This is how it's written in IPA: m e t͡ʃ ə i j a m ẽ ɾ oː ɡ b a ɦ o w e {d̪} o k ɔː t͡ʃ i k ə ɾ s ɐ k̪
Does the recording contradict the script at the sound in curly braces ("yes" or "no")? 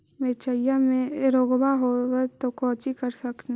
yes